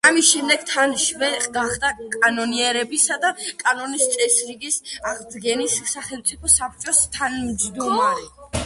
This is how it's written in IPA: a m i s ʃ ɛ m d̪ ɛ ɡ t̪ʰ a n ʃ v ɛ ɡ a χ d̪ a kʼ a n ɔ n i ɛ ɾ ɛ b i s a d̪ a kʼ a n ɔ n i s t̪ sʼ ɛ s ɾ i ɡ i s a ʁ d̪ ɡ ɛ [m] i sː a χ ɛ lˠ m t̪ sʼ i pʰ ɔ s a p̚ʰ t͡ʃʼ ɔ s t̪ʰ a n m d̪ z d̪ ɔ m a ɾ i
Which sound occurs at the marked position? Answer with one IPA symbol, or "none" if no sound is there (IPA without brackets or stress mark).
n